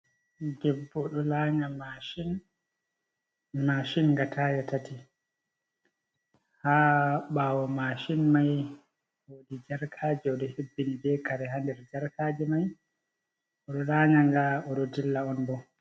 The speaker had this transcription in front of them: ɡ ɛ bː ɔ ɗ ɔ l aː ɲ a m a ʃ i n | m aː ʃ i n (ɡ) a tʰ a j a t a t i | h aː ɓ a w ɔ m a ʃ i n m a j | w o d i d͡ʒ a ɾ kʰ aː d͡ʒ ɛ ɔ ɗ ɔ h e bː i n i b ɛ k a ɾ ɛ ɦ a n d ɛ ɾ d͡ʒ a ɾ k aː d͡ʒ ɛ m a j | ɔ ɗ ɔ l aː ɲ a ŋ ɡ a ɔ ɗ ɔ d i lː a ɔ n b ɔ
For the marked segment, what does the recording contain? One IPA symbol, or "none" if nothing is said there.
ɡ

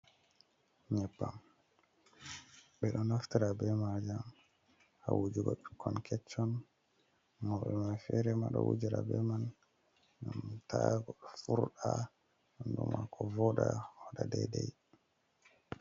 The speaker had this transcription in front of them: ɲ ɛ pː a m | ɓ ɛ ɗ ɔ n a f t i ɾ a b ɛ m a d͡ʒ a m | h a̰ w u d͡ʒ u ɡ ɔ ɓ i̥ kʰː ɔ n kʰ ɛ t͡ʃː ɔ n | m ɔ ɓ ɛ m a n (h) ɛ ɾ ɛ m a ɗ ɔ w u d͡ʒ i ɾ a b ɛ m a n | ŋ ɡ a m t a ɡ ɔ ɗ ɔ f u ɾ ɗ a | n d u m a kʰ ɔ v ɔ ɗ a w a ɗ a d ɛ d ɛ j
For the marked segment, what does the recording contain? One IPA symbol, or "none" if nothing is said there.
f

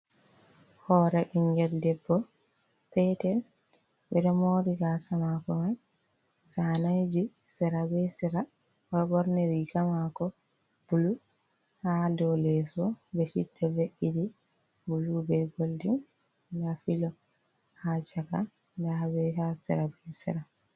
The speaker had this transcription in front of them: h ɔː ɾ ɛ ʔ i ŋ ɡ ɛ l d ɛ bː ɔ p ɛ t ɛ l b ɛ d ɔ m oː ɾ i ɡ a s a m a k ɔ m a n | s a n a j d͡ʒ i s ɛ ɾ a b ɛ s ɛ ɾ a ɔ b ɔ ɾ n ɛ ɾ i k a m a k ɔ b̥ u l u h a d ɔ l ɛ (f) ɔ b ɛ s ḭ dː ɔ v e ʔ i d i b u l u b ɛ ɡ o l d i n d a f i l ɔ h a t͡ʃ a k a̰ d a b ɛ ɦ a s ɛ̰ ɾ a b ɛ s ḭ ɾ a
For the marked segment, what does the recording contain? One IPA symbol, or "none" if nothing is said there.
s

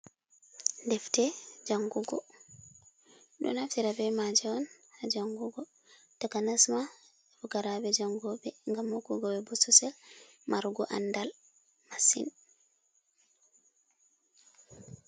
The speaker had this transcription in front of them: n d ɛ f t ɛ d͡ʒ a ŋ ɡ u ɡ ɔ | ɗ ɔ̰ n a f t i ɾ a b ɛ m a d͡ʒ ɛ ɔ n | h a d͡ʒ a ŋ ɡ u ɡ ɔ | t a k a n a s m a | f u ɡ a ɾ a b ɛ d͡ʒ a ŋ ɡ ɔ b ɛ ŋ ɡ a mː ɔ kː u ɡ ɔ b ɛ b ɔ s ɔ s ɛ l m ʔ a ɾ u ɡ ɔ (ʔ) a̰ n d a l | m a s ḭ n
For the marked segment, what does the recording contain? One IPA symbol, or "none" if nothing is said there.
ʔ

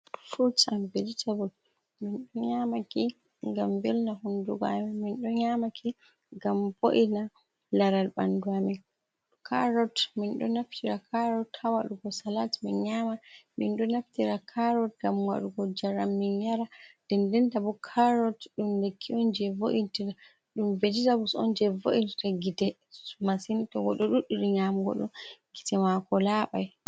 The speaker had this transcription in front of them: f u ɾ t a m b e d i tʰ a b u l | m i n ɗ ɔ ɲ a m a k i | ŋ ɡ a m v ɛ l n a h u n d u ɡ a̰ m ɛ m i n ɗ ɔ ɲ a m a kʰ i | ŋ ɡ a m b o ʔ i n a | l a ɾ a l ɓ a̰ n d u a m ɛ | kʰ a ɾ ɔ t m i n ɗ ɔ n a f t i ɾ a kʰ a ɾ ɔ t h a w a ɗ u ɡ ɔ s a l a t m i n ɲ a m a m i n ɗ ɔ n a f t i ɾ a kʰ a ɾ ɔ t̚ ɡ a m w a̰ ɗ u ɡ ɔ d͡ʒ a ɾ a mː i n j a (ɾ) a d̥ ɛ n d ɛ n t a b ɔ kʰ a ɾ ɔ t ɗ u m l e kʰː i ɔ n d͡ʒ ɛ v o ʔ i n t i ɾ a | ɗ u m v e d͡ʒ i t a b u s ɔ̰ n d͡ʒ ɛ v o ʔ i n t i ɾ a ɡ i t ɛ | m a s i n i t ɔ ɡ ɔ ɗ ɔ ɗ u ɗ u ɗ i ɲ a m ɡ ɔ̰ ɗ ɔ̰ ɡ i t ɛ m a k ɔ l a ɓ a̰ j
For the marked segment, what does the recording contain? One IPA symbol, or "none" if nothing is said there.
ɾ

